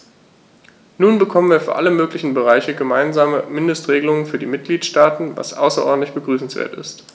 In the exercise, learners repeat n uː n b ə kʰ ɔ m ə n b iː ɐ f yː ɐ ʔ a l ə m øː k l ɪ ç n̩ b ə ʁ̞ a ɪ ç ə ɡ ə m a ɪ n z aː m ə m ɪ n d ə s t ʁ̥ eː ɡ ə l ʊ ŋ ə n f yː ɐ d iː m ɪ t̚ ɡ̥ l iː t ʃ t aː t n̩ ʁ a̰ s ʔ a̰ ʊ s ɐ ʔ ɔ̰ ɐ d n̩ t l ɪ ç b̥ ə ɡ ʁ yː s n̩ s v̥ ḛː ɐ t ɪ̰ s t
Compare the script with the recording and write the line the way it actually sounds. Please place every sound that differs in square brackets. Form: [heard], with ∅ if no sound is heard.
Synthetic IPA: n uː n b ə kʰ ɔ m ə n [v] iː ɐ f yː ɐ ʔ a l ə m øː k l ɪ ç n̩ b ə ʁ̞ a ɪ ç ə ɡ ə m a ɪ n z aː m ə m ɪ n d ə s t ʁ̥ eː ɡ ə l ʊ ŋ ə n f yː ɐ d iː m ɪ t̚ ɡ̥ l iː t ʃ t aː t n̩ [v] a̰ s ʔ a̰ ʊ s ɐ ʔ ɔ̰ ɐ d n̩ t l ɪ ç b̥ ə ɡ ʁ yː s n̩ s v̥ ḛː ɐ t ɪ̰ s t